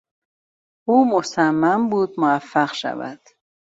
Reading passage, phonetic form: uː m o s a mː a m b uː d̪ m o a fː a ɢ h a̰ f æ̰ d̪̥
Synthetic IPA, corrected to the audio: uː m o s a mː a m b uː d̪ m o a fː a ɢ ʃ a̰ v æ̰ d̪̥

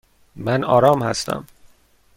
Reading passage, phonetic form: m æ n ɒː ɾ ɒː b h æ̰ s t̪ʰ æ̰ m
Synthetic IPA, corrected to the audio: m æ n ɒː ɾ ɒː m h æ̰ s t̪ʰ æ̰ m

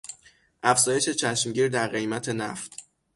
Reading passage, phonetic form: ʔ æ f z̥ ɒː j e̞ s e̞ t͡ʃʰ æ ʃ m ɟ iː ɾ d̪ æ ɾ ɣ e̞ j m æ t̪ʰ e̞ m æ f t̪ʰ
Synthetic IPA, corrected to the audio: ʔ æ f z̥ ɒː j e̞ ʃ e̞ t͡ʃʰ æ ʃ m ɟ iː ɾ d̪ æ ɾ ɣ e̞ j m æ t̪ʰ e̞ n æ f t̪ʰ

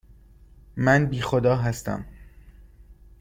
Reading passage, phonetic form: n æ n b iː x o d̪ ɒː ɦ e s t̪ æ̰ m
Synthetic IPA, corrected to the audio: m æ n b iː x o d̪ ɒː ɦ æ s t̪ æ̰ m

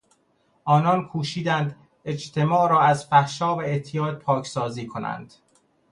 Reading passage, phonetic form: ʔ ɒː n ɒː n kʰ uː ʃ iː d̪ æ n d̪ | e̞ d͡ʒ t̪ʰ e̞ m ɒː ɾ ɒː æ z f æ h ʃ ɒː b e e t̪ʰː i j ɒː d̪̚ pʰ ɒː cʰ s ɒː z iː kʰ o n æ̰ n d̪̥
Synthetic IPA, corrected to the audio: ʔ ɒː n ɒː n kʰ uː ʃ iː d̪ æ n d̪ | e̞ d͡ʒ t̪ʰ e̞ m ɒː ɾ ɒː æ z f æ h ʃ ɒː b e e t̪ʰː i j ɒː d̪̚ pʰ ɒː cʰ s ɒː z iː kʰ o n æ̰ n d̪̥

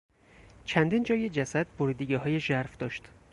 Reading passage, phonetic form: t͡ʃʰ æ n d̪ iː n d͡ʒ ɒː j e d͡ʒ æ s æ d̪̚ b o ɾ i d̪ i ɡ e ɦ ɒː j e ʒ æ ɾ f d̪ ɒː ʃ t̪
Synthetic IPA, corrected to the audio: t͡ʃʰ æ n d̪ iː n d͡ʒ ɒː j e d͡ʒ æ s æ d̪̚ b o ɾ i d̪ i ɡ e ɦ ɒː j e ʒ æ ɾ f d̪ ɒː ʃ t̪

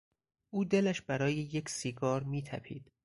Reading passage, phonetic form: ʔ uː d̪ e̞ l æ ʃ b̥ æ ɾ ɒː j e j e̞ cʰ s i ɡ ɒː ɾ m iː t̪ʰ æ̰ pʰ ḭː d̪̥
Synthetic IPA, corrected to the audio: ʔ uː d̪ e̞ l æ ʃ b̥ æ ɾ ɒː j e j e̞ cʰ s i ɡ ɒː ɾ m iː t̪ʰ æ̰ pʰ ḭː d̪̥

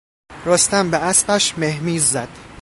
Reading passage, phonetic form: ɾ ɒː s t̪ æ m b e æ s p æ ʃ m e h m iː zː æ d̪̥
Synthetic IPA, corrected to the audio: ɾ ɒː s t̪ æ m b e æ s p æ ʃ m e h m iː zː æ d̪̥

